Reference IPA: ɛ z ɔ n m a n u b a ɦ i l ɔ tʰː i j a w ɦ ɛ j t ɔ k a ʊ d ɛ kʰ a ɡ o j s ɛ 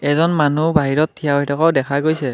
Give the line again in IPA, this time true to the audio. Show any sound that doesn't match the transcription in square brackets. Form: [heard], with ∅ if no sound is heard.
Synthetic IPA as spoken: ɛ z ɔ n m a n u b a ɦ i [ɹ] ɔ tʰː i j a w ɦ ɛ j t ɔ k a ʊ d ɛ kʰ a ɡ o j s ɛ